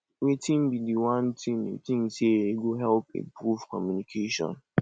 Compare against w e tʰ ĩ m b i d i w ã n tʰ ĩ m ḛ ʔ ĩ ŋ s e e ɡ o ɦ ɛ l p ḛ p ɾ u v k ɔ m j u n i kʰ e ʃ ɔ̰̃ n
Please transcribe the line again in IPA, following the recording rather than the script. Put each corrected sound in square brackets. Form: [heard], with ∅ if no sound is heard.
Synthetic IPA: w e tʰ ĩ m b i d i w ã n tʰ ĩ m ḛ [t] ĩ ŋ s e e ɡ o ɦ ɛ l p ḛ p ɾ u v k ɔ m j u n i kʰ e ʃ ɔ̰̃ n